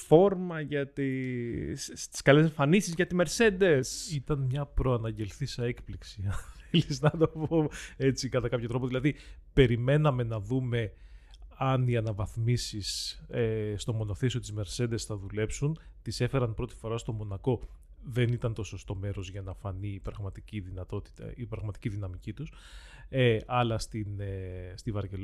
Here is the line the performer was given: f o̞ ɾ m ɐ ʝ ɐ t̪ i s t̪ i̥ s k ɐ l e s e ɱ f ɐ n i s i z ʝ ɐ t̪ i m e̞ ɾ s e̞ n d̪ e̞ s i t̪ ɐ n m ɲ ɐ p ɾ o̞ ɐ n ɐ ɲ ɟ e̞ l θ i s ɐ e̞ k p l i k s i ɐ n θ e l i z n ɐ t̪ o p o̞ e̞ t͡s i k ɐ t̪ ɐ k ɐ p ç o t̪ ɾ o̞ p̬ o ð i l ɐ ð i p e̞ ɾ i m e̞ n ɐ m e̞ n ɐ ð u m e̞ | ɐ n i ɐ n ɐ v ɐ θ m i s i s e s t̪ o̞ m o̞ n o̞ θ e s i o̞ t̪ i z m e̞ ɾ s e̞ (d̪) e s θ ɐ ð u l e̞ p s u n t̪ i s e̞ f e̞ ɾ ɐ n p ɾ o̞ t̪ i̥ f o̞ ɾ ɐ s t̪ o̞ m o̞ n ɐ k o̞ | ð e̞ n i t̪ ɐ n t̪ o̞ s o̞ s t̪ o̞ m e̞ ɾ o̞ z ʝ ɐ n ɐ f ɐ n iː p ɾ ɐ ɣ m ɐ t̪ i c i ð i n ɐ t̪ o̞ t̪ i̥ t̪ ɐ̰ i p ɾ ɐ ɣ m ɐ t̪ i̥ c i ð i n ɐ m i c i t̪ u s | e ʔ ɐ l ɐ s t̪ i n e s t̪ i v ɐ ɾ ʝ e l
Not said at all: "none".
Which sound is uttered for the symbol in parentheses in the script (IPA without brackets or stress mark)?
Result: d̪